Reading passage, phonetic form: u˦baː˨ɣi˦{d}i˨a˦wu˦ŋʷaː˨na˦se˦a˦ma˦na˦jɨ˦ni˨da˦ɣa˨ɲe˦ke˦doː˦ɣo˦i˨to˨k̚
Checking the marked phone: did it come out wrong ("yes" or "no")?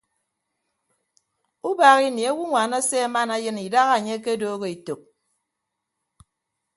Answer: yes